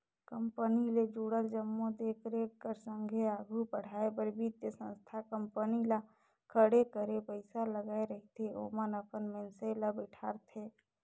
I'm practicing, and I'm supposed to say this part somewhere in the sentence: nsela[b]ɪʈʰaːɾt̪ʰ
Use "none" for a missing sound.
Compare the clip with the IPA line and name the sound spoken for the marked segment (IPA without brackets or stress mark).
b